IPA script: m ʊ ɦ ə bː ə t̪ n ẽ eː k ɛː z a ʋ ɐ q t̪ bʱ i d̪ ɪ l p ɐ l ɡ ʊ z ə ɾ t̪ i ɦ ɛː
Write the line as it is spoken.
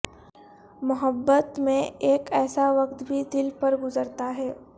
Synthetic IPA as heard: m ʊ ɦ ə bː ə t̪ m ẽ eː k ɛː s a ʋ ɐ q t̪ bʱ i d̪ ɪ l p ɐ ɾ ɡ ʊ z ə ɾ t̪ a ɦ ɛː

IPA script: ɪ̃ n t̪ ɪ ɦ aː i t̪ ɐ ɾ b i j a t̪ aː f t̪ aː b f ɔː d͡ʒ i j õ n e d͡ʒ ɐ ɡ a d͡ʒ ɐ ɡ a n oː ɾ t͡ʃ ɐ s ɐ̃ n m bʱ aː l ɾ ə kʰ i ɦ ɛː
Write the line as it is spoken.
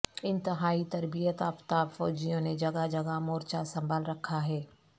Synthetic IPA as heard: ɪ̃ n t̪ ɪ ɦ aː i t̪ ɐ ɾ b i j ə t̪ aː f t̪ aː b f ɔː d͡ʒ i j õ n e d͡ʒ ɐ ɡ a d͡ʒ ɐ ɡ a m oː ɾ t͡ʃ a s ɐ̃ m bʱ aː l ɾ ɐ kʰ a ɦ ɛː

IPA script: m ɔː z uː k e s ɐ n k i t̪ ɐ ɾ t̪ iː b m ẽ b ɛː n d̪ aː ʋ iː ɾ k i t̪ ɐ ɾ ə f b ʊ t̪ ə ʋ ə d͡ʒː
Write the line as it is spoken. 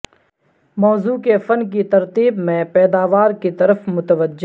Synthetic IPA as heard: m ɔː z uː k e f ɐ n k i t̪ ɐ ɾ t̪ iː b m ẽ p ɛː d̪ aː ʋ aː ɾ k i t̪ ɐ ɾ ə f m ʊ t̪ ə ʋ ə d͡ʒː

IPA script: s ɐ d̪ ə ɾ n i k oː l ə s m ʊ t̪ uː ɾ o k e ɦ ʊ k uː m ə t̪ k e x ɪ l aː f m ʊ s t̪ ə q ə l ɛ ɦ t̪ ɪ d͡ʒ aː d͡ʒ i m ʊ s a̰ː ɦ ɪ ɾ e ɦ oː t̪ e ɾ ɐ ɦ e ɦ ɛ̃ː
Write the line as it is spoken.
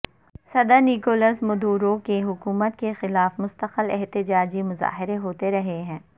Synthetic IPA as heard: s ɐ d̪ ə ɾ n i k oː l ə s m ʊ d̪ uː ɾ o k e ɦ ʊ k uː m ə t̪ k e x ɪ l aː f m ʊ s t̪ ə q ə l ɛ ɦ t̪ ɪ d͡ʒ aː d͡ʒ i m ʊ z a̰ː ɦ ɪ ɾ e ɦ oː t̪ e ɾ ɐ ɦ e ɦ ɛ̃ː

